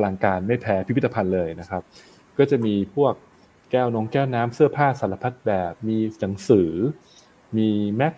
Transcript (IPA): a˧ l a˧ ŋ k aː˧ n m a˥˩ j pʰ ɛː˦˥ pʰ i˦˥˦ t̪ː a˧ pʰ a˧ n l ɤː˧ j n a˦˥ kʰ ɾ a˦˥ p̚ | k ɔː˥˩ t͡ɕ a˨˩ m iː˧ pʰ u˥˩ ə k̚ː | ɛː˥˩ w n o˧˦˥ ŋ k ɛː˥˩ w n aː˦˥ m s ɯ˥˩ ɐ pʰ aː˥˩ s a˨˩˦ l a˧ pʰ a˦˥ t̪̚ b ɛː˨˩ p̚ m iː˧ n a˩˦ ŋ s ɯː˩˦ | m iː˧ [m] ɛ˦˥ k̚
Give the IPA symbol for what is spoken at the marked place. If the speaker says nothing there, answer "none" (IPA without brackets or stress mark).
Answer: m